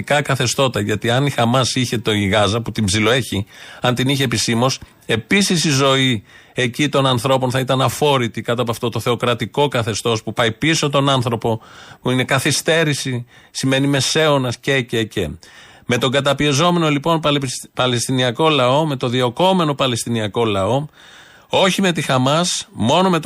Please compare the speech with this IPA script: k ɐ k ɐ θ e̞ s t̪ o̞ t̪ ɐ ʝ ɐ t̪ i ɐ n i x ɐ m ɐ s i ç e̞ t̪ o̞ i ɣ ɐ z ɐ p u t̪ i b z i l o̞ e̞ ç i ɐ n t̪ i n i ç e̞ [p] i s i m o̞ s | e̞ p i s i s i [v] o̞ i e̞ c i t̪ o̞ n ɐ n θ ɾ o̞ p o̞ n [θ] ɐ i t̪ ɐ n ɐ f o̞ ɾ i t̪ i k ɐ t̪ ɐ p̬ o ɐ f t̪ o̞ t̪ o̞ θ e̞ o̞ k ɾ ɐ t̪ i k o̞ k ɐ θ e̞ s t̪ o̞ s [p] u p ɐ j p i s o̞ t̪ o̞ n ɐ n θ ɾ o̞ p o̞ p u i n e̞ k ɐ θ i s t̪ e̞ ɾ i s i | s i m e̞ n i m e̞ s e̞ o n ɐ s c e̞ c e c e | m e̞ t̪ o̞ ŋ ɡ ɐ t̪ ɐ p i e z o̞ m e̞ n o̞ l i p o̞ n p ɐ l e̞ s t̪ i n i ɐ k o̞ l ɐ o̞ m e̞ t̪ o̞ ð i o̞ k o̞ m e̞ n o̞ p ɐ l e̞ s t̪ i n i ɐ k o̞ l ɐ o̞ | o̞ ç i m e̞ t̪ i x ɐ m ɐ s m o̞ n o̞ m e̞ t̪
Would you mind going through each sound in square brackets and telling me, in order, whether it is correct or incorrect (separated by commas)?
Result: correct, incorrect, correct, correct